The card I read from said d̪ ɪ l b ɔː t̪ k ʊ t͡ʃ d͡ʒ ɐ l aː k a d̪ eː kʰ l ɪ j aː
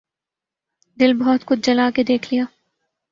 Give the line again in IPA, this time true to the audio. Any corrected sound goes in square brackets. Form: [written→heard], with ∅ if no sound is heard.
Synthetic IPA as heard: d̪ ɪ l b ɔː t̪ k ʊ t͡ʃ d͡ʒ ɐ l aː k [a→e] d̪ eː kʰ l [ɪ→i] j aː